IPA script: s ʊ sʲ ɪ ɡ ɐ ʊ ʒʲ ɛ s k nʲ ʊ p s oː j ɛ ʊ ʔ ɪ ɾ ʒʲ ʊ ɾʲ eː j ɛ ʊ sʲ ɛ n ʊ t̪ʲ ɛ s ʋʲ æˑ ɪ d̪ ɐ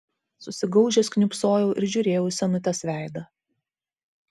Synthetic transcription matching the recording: s ʊ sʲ ɪ ɡ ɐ ʊ ʒʲ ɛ s k nʲ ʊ p s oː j ɛ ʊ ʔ ɪ ɾ ʒʲ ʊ ɾʲ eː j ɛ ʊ sʲ ɛ n ʊ t̪ʲ ɛ s ʋʲ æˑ ɪ d̪ ɐ